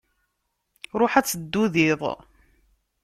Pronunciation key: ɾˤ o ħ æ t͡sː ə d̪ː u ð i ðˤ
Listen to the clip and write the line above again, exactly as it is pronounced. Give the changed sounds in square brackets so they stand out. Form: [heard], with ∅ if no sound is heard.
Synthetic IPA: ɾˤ o ħ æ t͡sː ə d̪ː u ð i ðˤ